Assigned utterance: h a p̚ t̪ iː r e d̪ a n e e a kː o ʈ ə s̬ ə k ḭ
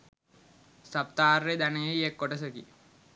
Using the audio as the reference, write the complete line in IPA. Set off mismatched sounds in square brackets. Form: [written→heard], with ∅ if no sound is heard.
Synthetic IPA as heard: [h→s] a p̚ t̪ [iː→aː] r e d̪ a n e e [a→e] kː o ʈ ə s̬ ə k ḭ